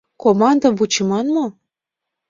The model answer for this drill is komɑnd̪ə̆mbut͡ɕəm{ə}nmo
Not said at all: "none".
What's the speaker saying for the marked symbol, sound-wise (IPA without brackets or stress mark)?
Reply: ɑ